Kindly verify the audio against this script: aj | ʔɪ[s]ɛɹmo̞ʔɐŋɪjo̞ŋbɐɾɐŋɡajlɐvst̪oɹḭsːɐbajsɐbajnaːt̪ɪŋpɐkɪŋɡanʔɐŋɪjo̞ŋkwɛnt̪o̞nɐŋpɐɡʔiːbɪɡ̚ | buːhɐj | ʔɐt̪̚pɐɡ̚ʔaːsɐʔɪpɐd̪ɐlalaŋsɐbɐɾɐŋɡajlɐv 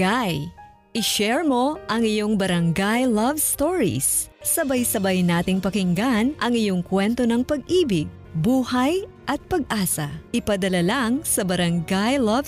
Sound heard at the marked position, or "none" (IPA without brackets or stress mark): ʃ